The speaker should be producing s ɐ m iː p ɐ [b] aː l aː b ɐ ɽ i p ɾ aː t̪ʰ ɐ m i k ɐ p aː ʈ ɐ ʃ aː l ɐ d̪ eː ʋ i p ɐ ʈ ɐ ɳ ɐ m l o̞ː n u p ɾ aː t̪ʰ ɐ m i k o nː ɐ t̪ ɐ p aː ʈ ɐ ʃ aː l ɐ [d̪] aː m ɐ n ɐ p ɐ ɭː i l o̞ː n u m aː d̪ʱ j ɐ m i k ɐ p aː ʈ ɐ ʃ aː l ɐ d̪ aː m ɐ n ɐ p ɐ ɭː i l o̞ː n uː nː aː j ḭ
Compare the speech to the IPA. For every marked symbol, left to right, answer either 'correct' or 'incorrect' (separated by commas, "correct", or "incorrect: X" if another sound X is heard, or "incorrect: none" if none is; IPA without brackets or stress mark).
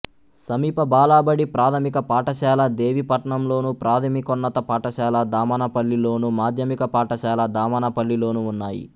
correct, correct